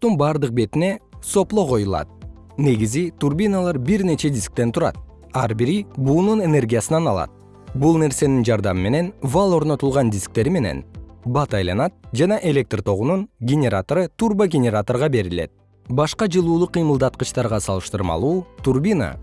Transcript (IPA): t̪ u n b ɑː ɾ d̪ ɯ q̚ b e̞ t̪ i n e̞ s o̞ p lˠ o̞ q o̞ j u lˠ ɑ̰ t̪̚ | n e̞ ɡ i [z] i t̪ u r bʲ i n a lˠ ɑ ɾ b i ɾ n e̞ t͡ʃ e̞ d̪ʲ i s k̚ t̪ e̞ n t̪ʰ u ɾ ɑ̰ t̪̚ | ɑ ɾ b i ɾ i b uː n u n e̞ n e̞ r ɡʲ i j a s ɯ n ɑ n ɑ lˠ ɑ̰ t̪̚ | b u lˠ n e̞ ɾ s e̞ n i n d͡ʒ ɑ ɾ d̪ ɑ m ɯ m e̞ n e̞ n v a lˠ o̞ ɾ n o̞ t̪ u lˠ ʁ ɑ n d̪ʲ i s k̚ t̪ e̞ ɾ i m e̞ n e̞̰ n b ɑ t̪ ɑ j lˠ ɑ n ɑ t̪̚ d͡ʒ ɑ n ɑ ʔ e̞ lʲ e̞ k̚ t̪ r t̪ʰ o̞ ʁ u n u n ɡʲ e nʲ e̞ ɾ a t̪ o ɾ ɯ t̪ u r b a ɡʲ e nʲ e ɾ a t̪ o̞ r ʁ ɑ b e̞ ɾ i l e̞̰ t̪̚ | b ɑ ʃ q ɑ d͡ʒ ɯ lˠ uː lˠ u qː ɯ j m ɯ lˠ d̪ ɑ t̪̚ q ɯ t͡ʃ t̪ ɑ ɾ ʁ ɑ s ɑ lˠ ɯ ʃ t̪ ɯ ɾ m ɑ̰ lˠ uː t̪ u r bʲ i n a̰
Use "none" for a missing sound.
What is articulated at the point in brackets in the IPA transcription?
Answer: z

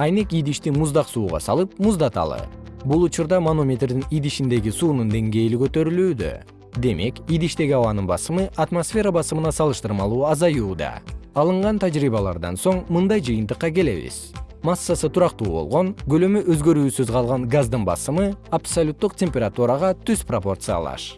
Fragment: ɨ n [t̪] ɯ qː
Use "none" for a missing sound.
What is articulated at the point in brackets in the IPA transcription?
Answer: t̪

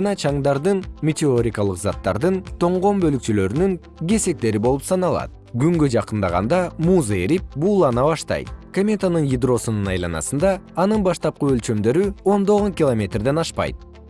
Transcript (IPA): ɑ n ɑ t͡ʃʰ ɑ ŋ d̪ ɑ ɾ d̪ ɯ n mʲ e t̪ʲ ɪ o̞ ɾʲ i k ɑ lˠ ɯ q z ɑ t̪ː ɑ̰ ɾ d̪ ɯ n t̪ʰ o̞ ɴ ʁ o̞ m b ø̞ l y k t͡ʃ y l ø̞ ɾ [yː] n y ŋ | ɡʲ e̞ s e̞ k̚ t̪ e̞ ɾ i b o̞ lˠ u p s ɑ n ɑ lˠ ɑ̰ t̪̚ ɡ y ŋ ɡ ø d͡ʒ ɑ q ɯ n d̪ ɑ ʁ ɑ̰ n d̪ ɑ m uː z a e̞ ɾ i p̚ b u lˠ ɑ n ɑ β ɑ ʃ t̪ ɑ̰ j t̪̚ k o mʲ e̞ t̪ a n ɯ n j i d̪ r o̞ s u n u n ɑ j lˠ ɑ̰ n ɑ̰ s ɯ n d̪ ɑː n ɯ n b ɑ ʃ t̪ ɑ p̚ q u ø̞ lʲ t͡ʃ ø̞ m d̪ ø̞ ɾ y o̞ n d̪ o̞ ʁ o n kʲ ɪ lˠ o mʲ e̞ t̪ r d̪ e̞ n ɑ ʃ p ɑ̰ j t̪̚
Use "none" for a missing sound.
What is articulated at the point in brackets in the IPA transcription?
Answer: y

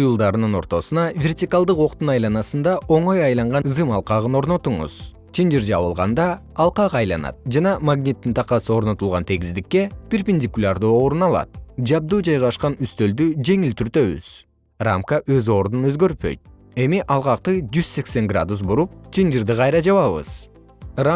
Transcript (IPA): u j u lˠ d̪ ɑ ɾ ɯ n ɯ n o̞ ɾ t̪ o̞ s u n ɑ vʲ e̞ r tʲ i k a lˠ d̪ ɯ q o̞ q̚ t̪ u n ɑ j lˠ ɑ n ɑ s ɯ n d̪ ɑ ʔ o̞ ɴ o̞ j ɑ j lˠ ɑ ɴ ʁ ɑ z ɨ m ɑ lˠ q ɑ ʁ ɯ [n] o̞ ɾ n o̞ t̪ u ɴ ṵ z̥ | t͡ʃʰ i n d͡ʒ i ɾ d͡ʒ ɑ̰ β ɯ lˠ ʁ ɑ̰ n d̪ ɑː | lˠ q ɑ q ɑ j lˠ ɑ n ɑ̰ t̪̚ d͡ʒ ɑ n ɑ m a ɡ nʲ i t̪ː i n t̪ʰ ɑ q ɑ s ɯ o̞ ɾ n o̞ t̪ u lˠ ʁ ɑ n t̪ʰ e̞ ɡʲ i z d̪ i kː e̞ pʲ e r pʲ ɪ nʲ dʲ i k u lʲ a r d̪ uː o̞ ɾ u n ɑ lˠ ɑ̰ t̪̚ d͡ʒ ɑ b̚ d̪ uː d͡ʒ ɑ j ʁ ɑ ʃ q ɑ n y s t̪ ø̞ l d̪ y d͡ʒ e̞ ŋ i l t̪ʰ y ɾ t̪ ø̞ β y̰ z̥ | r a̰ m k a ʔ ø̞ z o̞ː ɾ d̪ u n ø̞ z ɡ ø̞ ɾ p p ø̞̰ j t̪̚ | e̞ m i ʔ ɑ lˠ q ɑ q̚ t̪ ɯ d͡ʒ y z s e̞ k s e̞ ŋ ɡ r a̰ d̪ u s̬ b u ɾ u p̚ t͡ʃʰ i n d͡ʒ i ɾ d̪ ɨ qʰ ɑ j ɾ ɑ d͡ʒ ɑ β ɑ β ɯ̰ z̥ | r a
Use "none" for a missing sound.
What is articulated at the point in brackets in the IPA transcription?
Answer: n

